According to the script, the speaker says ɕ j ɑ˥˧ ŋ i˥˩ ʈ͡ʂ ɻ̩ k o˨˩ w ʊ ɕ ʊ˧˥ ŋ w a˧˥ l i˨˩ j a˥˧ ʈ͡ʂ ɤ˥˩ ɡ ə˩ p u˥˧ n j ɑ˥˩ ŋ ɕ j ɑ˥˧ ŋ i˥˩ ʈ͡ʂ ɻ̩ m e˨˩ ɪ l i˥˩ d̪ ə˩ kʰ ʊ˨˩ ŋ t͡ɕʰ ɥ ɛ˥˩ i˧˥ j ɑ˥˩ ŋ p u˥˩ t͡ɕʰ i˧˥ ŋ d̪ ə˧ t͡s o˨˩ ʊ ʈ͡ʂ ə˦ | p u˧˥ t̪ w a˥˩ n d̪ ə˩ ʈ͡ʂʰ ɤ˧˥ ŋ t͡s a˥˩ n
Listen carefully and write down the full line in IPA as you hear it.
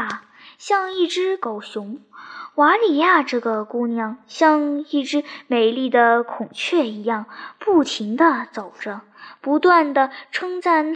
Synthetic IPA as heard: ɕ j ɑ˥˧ ŋ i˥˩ ʈ͡ʂ ɻ̩ k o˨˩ ʊ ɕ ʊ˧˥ ŋ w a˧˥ l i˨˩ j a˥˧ ʈ͡ʂ ɤ˥˩ ɡ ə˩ k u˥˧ n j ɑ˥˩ ŋ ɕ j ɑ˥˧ ŋ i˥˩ ʈ͡ʂ ɻ̩ m e˨˩ ɪ l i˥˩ d̪ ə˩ kʰ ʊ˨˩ ŋ t͡ɕʰ ɥ ɛ˥˩ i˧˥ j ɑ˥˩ ŋ p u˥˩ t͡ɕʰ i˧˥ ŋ d̪ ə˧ t͡s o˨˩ ʊ ʈ͡ʂ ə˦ | p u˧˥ t̪ w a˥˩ n d̪ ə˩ ʈ͡ʂʰ ɤ˥ ŋ t͡s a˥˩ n